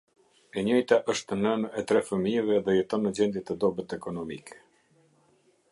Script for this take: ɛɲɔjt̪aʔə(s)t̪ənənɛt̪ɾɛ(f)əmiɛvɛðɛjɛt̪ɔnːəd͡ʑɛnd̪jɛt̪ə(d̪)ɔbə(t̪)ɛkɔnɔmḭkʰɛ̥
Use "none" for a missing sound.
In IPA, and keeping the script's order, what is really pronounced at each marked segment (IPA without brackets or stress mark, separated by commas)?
ʃ, f, d̪, t̪